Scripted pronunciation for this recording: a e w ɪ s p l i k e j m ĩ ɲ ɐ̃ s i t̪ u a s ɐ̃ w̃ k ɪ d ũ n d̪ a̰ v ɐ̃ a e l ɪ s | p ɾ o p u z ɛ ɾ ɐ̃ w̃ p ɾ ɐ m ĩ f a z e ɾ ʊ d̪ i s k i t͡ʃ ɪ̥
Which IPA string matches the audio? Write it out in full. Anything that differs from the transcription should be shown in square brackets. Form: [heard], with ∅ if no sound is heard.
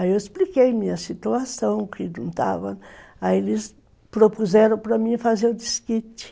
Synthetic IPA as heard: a e w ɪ s p l i k e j m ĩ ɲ [ɐ] s i t̪ u a s ɐ̃ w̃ k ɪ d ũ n [t̪] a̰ v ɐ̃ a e l ɪ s | p ɾ o p u z ɛ ɾ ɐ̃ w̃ p ɾ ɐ m ĩ f a z e ɾ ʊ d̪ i s k i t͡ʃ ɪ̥